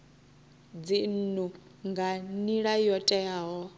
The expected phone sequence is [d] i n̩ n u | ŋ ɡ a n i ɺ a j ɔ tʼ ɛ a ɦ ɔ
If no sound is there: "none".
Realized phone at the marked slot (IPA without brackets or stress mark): d͡z